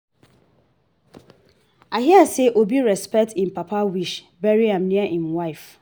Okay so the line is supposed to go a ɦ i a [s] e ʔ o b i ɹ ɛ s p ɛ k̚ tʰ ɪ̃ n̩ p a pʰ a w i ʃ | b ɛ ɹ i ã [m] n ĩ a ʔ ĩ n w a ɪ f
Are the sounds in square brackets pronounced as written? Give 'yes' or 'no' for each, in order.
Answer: yes, yes

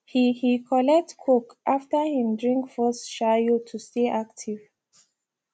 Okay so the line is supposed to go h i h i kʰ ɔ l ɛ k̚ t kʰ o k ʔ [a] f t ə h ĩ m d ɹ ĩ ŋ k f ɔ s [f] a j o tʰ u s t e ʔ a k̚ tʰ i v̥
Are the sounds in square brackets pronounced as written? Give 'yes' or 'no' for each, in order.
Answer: yes, no

